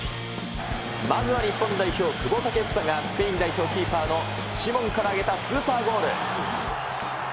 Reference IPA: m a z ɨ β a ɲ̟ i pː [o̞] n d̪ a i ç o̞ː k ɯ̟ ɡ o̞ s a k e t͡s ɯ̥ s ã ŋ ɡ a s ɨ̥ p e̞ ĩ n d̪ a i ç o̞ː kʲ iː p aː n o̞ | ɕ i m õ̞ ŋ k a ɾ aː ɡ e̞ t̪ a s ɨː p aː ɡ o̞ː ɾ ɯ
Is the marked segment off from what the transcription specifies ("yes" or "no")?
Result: yes